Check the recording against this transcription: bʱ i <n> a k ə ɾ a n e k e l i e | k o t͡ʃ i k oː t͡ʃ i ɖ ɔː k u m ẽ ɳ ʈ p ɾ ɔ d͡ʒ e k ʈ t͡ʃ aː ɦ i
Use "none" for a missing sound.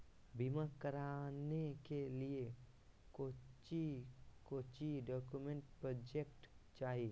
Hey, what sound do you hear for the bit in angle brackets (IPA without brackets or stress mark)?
m